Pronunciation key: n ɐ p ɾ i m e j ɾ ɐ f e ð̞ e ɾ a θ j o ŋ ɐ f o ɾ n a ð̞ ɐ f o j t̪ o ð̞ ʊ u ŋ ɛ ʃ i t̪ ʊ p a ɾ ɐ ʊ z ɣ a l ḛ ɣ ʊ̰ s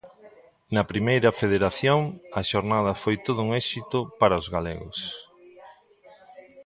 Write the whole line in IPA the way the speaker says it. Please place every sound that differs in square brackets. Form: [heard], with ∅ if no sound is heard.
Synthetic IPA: n ɐ p ɾ i m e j ɾ ɐ f e ð̞ e ɾ a θ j o ŋ ɐ [ʃ] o ɾ n a ð̞ ɐ f o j t̪ o ð̞ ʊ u ŋ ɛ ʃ i t̪ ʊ p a ɾ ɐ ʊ z ɣ a l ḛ ɣ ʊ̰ s

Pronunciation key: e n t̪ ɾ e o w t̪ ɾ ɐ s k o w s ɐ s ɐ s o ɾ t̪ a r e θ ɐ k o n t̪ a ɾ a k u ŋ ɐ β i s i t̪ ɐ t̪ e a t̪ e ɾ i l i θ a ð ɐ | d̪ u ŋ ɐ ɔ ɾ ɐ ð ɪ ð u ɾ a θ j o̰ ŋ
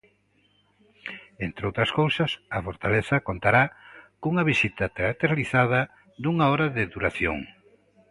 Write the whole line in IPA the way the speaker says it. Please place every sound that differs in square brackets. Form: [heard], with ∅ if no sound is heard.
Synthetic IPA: e n t̪ ɾ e o w t̪ ɾ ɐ s k o w s ɐ s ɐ [f] o ɾ t̪ a [l] e θ ɐ k o n t̪ a ɾ a k u ŋ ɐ β i s i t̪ ɐ t̪ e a t̪ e ɾ [a] l i θ a ð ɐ | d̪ u ŋ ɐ ɔ ɾ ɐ ð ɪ ð u ɾ a θ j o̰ ŋ

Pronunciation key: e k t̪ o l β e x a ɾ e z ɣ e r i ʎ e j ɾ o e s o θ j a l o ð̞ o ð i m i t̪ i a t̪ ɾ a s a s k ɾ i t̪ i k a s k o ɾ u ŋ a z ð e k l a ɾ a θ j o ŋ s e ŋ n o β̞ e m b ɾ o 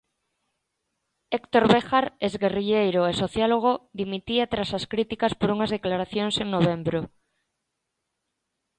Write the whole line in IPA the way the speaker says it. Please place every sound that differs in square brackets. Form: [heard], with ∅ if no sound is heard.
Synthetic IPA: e k t̪ o [ɾ] β e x a ɾ e z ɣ e r i ʎ e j ɾ o e s o θ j a l o [ɣ̞] o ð i m i t̪ i a t̪ ɾ a s a s k ɾ i t̪ i k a s [p] o ɾ u ŋ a z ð e k l a ɾ a θ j o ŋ s e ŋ n o β̞ e m b ɾ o

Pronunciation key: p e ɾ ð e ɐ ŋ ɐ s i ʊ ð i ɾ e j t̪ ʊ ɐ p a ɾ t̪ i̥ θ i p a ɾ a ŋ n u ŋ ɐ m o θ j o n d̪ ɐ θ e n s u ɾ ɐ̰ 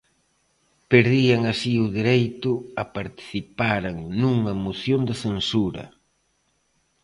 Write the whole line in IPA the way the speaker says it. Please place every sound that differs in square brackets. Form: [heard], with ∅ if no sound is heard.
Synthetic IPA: p e ɾ ð [i] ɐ ŋ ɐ s i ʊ ð i ɾ e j t̪ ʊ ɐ p a ɾ t̪ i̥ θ i p a ɾ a ŋ n u ŋ ɐ m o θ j o n d̪ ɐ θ e n s u ɾ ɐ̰

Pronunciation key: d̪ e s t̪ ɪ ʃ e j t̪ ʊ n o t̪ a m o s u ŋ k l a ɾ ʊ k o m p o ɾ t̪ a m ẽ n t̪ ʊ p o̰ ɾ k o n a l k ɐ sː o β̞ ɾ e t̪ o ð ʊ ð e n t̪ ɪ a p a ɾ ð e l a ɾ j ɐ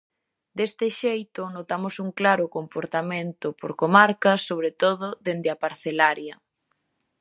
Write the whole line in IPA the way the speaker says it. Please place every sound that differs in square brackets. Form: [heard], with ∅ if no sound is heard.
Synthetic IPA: d̪ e s t̪ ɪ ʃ e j t̪ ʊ n o t̪ a m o s u ŋ k l a ɾ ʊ k o m p o ɾ t̪ a m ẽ n t̪ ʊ p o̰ ɾ k o [m] a [ɾ] k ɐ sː o β̞ ɾ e t̪ o ð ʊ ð e n [d̪] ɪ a p a ɾ [θ] e l a ɾ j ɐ

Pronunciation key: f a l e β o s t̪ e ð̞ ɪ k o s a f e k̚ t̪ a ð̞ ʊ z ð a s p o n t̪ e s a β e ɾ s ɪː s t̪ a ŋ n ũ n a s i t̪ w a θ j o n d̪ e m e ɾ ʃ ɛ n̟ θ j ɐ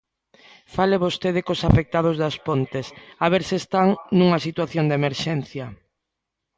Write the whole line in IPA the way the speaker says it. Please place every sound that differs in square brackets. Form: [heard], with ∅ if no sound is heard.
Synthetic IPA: f a l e β o s t̪ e ð̞ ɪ k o s a f e k̚ t̪ a ð̞ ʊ z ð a s p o n t̪ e s a β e ɾ s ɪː s t̪ a ŋ n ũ [ŋ] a s i t̪ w a θ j o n d̪ e m e ɾ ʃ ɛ n̟ θ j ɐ

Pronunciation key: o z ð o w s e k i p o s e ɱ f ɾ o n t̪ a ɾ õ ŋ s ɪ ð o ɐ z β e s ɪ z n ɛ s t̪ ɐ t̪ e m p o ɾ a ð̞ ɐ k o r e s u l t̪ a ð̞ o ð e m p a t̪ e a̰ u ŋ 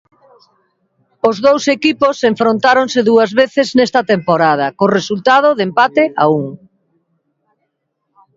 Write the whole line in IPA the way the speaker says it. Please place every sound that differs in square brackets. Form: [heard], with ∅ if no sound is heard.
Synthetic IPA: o z ð o w s e k i p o s e ɱ f ɾ o n t̪ a ɾ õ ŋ s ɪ ð [u] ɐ z β e [θ] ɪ z n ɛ s t̪ ɐ t̪ e m p o ɾ a ð̞ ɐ k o r e s u l t̪ a ð̞ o ð e m p a t̪ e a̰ u ŋ

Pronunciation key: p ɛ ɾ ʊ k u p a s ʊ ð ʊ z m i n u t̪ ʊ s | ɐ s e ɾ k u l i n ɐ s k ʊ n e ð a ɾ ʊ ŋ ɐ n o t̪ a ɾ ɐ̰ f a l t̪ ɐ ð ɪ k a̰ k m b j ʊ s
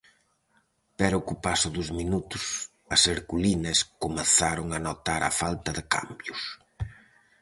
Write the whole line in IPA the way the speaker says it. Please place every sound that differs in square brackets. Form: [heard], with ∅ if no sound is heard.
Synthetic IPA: p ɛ ɾ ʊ k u p a s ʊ ð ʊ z m i n u t̪ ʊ s | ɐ s e ɾ k u l i n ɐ s k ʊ [m] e [θ] a ɾ ʊ ŋ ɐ n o t̪ a ɾ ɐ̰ f a l t̪ ɐ ð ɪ k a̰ [∅] m b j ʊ s

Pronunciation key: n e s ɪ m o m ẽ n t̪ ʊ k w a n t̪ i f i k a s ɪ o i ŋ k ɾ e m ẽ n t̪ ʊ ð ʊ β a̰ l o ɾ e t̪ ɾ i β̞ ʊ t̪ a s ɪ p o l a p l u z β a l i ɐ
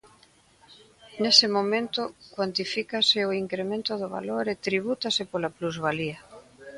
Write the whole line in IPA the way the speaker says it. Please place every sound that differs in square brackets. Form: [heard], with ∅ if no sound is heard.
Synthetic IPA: n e s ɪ m o m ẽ n t̪ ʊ k w a n t̪ i f i k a s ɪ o i ŋ k ɾ e m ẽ n t̪ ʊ ð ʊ β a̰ l o ɾ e t̪ ɾ i β̞ [u] t̪ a s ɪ p o l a p l u z β a l i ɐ

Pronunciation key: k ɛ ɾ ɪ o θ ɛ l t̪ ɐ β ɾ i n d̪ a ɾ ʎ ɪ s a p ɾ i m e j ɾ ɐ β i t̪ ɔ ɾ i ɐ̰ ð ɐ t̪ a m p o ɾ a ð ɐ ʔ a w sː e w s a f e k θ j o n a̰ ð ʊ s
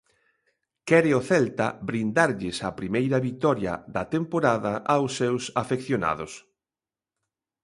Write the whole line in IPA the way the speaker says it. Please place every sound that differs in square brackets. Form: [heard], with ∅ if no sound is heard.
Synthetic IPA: k ɛ ɾ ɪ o θ ɛ l t̪ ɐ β ɾ i n d̪ a ɾ ʎ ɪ s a p ɾ i m e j ɾ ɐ β i t̪ ɔ ɾ [j] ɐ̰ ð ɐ t̪ [e] m p o ɾ a ð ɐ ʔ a w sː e w s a f e k θ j o n a̰ ð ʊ s

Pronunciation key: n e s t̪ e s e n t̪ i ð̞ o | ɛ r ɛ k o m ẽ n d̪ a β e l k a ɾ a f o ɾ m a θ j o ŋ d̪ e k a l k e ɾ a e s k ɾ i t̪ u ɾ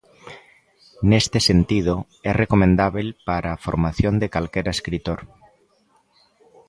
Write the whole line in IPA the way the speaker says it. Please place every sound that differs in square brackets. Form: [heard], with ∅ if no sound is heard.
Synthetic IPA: n e s t̪ e s e n t̪ i ð̞ o | ɛ r [e] k o m ẽ n d̪ a β e l [p] a ɾ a f o ɾ m a θ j o [n] d̪ e k a l k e ɾ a e s k ɾ i t̪ [o] ɾ

